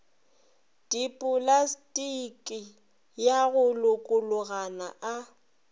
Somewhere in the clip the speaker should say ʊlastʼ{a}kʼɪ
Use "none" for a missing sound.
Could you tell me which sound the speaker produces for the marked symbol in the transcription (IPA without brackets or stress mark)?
i